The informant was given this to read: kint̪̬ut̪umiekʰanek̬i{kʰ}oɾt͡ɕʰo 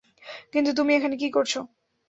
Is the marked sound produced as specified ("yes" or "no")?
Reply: no